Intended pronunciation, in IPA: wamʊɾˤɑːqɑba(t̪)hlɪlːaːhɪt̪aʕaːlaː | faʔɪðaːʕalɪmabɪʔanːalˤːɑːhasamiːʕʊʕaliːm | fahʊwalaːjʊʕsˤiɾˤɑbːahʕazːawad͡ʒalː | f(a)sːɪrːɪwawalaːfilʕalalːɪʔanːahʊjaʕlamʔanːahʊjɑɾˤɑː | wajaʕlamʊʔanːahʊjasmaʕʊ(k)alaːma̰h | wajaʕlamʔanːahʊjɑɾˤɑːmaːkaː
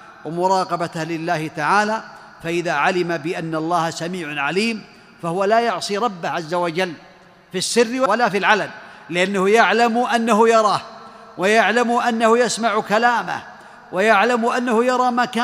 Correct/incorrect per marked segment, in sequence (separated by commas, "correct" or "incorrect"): correct, incorrect, correct